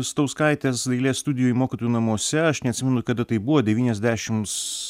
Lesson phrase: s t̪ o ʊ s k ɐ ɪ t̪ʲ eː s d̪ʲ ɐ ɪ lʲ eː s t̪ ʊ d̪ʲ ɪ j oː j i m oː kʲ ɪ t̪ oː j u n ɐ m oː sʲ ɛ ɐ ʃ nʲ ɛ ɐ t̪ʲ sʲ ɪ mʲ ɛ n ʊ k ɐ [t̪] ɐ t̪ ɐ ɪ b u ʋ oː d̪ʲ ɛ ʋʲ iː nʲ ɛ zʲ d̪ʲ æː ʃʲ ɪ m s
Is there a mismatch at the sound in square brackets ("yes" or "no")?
yes